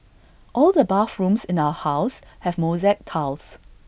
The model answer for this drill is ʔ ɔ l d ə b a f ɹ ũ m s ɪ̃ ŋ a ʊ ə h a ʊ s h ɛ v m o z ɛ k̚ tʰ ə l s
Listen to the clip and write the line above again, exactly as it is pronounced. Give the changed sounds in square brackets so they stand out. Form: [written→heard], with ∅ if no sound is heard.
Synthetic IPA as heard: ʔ ɔ l d ə b a f ɹ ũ m s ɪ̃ [ŋ→n] a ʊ ə h a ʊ s h ɛ v m o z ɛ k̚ tʰ [ə→a] l s